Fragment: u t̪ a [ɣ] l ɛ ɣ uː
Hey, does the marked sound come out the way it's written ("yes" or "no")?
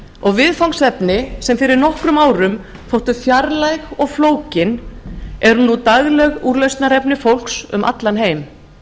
yes